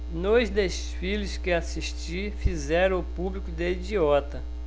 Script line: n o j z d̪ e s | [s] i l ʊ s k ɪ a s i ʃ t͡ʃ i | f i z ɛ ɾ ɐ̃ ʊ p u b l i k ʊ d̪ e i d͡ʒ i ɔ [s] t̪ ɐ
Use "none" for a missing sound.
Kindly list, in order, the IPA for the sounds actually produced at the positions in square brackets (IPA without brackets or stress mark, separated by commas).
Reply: f, none